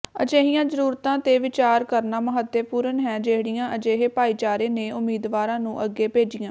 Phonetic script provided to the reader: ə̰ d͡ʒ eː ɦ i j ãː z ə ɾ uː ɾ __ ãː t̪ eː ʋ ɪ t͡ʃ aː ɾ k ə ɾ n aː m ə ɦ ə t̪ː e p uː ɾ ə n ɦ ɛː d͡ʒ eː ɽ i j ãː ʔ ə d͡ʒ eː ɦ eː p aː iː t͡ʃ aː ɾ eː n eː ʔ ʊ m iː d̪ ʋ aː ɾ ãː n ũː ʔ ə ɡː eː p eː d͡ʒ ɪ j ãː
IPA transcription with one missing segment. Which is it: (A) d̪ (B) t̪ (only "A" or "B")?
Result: B